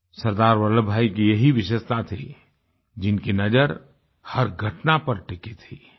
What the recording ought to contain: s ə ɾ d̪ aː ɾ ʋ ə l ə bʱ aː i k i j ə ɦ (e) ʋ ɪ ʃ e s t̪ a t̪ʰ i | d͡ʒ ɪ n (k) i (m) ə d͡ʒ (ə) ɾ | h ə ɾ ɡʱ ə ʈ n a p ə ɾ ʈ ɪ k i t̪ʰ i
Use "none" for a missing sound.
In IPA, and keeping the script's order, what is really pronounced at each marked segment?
i, k, n, ə

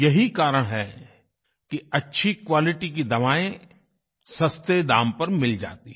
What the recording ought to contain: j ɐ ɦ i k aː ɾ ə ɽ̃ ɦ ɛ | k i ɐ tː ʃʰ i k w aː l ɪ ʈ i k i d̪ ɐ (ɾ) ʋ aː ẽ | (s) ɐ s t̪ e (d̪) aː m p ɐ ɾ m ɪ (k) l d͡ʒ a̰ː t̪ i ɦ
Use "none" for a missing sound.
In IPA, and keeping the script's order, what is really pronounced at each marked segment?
none, s, d̪, none

